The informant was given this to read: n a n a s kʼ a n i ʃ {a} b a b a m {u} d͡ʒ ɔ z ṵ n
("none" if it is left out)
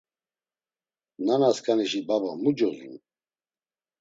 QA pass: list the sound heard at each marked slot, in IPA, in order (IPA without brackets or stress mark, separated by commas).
i, u